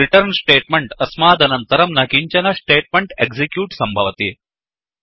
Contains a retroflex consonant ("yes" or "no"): yes